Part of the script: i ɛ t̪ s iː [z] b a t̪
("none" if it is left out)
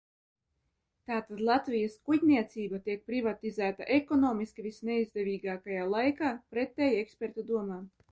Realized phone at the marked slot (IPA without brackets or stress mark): none